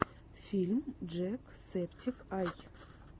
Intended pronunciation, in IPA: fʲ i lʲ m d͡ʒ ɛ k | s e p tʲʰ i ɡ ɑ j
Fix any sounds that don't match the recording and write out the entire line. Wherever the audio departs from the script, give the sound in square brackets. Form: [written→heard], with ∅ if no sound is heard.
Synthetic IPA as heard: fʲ i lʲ m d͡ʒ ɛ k | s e p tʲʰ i [ɡ→k] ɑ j